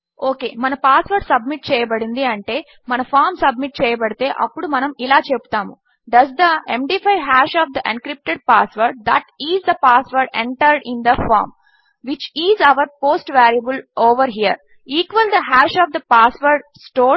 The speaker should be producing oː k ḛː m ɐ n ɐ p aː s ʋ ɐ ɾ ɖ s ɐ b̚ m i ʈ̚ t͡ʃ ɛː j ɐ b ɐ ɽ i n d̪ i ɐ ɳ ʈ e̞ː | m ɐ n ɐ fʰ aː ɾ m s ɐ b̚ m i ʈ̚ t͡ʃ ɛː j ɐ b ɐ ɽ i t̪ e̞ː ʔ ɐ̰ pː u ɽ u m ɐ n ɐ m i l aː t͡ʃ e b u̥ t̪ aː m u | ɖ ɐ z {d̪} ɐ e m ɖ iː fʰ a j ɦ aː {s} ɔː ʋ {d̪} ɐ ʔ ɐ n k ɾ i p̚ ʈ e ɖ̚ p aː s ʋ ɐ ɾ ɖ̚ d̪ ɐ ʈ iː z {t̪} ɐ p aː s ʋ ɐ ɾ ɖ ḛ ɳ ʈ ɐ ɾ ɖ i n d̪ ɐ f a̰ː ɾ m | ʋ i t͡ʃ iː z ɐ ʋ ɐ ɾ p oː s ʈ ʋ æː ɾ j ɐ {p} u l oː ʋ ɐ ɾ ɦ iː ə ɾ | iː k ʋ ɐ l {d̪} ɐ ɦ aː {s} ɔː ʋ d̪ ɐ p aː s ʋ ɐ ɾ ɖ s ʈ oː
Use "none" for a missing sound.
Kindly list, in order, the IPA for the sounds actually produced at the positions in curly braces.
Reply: d̪, ʃ, d̪, d̪, b, d̪, ʃ

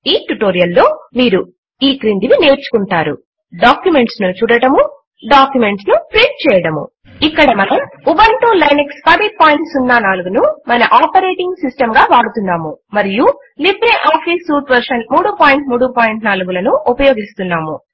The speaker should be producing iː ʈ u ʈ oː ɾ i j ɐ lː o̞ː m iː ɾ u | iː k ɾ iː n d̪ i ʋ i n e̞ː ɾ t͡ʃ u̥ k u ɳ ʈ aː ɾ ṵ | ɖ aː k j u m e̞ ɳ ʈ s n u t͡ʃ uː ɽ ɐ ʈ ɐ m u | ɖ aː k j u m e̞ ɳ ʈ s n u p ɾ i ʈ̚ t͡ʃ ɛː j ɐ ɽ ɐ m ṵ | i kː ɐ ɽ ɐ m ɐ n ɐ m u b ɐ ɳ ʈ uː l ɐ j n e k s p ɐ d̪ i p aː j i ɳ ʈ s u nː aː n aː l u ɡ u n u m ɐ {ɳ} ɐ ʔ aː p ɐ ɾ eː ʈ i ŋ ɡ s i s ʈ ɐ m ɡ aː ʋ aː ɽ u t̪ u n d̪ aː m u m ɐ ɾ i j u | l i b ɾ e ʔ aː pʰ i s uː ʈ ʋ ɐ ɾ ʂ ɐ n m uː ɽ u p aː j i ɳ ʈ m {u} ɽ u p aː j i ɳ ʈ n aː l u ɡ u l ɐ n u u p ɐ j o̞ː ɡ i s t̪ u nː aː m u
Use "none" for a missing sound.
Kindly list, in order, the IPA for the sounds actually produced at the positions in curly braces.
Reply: n, uː

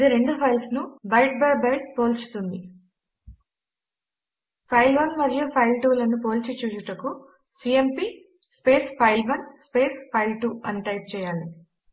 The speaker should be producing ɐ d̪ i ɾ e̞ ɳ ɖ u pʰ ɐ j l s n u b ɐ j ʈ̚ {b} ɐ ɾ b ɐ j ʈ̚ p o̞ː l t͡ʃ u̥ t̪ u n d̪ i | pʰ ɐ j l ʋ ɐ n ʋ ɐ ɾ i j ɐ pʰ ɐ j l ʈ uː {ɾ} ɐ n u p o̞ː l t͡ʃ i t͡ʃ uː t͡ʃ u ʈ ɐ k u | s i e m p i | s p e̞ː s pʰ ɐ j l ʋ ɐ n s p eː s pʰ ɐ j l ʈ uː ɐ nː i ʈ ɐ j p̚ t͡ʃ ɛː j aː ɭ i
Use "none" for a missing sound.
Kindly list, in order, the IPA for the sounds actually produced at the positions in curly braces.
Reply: b, l

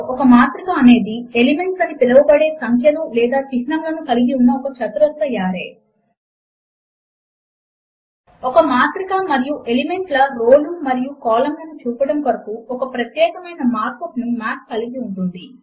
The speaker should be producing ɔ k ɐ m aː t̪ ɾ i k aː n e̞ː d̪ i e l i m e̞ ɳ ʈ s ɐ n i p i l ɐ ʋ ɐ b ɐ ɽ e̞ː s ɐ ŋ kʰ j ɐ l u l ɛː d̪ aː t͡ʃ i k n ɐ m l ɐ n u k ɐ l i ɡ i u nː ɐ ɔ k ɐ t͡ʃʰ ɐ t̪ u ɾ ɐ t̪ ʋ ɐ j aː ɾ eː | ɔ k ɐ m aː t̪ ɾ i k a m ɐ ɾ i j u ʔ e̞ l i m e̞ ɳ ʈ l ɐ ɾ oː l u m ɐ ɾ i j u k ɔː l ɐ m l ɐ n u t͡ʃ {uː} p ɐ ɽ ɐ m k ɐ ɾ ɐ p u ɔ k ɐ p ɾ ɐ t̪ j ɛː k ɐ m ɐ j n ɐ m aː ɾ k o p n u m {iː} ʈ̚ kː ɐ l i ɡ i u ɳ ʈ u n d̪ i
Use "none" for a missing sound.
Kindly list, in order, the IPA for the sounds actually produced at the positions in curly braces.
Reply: uː, aː

